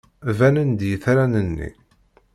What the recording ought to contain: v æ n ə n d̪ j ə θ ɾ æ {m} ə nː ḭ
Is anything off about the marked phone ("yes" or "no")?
yes